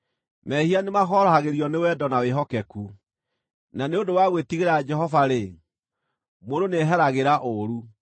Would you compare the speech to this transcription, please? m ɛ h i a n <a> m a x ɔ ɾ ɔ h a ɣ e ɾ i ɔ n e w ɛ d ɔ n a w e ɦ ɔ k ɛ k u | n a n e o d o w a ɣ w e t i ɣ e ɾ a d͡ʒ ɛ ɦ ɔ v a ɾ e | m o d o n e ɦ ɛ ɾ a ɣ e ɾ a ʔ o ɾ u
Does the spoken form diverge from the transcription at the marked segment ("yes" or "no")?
yes